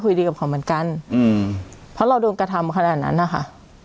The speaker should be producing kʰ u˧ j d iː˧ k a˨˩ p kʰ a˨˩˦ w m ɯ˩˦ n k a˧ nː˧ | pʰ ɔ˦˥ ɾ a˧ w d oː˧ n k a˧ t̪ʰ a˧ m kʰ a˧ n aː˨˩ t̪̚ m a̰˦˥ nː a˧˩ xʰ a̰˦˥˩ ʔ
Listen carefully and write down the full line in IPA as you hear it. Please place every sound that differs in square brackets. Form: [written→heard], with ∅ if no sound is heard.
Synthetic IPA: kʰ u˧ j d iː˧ k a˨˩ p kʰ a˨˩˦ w m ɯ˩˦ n k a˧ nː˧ | pʰ ɔ˦˥ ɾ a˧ w d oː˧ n k a˧ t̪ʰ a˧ m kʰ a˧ n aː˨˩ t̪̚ [m→n] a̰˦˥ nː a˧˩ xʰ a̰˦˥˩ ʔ

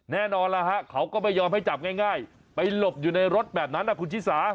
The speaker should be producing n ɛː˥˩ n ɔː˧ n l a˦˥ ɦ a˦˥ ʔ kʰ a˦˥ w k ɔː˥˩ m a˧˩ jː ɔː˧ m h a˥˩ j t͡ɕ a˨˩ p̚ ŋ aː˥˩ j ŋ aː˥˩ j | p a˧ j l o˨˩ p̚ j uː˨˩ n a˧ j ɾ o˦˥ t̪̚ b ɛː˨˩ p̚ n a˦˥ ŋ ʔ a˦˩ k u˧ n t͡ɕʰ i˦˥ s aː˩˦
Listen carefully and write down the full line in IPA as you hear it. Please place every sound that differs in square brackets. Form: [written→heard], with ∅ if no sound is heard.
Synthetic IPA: n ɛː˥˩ n ɔː˧ n l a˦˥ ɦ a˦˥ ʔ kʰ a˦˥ w k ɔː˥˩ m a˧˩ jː ɔː˧ m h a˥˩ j t͡ɕ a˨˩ p̚ ŋ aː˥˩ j ŋ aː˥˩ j | p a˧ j l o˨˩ p̚ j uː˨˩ n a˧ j ɾ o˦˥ t̪̚ b ɛː˨˩ p̚ n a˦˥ [ŋ→n] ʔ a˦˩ k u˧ n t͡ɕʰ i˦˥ s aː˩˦

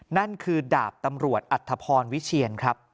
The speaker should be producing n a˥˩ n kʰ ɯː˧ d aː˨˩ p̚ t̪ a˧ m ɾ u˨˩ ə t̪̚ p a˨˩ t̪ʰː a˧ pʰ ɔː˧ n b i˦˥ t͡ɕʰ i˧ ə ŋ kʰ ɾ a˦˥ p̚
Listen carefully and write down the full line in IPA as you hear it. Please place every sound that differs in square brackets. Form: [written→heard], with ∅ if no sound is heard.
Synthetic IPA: n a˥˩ n kʰ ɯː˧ d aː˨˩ p̚ t̪ a˧ m ɾ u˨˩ ə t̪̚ [p→ʔ] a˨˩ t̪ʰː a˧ pʰ ɔː˧ n [b→w] i˦˥ t͡ɕʰ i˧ ə [ŋ→n] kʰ ɾ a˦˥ p̚

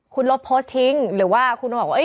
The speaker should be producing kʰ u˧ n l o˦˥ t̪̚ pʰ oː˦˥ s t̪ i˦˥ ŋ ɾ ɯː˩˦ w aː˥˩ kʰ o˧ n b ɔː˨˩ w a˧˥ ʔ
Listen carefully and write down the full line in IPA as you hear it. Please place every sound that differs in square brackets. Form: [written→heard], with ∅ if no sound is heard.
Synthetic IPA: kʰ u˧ n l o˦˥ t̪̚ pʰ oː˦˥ s [t̪→t̪ʰ] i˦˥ ŋ ɾ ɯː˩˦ w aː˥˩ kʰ [o˧→u˧] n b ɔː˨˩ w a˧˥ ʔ

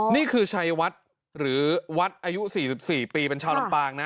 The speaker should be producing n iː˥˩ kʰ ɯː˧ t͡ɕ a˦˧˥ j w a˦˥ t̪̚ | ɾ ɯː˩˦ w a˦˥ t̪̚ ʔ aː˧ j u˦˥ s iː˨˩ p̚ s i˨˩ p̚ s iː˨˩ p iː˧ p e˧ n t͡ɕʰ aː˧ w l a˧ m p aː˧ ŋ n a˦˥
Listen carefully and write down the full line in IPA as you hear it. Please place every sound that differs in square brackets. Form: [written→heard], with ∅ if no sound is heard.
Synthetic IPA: n iː˥˩ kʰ ɯː˧ [t͡ɕ→t͡ɕʰ] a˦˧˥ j w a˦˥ t̪̚ | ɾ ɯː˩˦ w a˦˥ t̪̚ ʔ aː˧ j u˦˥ s iː˨˩ [p̚→∅] s i˨˩ p̚ s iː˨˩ p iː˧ p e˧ n t͡ɕʰ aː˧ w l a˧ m p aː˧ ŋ n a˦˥

